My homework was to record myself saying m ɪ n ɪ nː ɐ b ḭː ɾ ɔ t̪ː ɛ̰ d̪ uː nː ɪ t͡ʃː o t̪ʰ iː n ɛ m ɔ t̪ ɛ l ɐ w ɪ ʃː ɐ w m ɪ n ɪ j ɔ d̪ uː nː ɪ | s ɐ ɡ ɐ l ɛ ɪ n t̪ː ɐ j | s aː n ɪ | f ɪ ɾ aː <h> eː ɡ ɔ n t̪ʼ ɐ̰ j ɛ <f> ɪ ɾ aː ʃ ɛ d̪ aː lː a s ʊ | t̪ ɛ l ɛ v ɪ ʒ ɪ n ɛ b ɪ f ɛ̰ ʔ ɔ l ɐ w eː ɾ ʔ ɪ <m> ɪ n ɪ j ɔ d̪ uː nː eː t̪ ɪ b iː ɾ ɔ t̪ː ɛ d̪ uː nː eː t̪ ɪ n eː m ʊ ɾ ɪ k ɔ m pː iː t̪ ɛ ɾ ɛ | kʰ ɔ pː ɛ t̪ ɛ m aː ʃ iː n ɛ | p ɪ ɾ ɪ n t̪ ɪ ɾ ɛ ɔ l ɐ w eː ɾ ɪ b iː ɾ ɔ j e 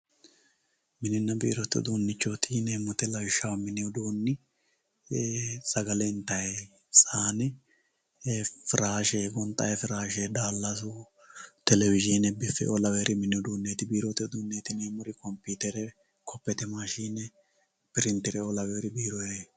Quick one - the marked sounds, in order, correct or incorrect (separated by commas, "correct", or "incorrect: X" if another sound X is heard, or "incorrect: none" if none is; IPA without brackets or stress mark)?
incorrect: ʃ, correct, correct